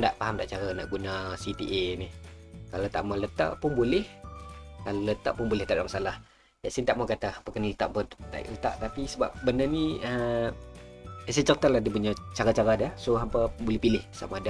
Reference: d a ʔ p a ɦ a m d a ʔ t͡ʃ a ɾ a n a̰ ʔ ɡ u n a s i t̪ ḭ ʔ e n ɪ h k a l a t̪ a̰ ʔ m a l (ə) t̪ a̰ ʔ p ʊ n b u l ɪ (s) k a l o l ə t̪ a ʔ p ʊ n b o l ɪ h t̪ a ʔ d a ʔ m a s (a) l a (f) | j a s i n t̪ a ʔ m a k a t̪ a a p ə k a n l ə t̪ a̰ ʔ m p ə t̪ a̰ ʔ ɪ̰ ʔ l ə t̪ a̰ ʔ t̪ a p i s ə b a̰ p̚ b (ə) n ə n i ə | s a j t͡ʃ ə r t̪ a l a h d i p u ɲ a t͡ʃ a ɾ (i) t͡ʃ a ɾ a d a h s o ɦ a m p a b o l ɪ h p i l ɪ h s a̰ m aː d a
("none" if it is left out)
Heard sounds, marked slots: ə, h, a, h, ə, a

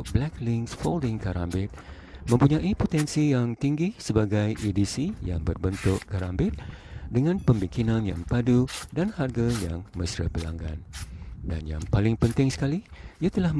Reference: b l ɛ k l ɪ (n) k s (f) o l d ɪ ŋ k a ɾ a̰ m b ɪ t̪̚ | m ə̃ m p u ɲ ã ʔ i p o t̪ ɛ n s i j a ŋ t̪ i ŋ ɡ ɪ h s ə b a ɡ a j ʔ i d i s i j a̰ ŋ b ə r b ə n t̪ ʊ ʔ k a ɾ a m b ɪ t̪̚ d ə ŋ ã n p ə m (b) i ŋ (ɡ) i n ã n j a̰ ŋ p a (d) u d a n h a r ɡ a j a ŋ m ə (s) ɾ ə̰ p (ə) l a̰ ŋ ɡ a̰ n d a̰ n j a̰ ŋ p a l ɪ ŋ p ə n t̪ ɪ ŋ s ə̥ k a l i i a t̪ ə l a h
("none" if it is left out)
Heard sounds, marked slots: ŋ, f, b, k, d, s, ə

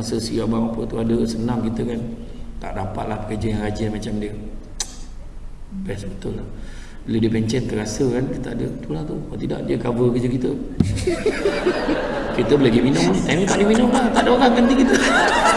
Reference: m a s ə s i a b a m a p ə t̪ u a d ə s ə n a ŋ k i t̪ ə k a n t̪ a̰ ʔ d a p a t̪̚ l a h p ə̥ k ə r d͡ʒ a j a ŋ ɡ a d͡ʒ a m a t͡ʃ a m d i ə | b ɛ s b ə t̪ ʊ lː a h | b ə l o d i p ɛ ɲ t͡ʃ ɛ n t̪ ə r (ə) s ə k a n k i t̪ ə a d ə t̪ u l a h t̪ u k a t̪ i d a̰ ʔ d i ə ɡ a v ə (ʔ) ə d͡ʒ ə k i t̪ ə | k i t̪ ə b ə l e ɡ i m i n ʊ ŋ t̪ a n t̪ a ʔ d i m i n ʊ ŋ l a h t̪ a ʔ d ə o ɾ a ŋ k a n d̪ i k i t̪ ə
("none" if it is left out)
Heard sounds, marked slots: a, k

